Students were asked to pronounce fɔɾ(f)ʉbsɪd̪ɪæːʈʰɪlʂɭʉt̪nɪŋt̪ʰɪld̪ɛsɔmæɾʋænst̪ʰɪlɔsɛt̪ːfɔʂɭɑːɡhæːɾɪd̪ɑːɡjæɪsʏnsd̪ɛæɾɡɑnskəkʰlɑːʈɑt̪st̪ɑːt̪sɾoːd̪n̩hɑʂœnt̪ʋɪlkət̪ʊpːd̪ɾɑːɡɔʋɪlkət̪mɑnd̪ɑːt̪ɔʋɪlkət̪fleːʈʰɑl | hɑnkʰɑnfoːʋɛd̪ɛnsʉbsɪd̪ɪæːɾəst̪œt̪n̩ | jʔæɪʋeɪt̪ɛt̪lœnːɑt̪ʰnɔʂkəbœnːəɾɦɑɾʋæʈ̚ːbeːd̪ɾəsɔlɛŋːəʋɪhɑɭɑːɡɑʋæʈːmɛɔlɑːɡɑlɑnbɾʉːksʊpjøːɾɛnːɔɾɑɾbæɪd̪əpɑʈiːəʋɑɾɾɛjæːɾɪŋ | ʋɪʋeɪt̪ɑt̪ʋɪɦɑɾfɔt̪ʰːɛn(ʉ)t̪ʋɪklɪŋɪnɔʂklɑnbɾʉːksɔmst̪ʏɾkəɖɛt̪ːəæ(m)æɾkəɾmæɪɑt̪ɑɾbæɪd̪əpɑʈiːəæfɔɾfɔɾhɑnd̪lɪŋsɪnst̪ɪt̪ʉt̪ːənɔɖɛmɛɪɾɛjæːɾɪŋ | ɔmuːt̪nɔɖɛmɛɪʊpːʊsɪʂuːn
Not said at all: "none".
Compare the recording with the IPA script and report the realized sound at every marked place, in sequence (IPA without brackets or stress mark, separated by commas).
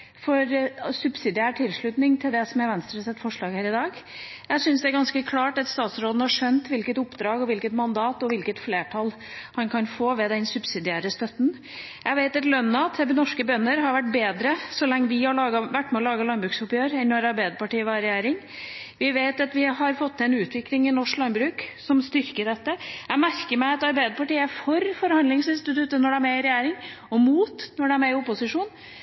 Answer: s, ʉː, m